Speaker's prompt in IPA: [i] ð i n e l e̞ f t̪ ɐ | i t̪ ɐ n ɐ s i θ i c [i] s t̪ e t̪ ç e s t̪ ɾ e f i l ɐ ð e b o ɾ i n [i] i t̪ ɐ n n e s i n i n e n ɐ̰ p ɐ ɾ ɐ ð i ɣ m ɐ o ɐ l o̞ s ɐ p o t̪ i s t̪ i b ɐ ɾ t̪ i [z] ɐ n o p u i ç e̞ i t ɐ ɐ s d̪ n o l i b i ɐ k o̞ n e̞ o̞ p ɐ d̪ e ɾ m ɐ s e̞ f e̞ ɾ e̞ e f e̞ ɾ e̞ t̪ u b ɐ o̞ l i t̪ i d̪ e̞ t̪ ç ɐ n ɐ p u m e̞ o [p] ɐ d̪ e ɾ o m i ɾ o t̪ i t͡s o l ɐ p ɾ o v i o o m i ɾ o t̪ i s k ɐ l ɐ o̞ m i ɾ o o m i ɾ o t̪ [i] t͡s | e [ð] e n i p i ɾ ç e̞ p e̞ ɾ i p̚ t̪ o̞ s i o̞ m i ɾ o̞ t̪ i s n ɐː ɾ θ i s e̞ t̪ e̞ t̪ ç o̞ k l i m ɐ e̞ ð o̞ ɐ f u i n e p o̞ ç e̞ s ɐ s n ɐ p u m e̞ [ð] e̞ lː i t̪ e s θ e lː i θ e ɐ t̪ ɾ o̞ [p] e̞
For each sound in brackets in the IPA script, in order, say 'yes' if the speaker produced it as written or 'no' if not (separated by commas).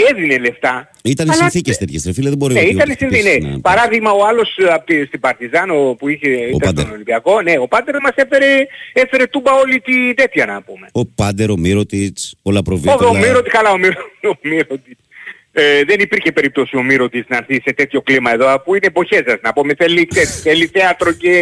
no, no, no, yes, yes, yes, yes, no, no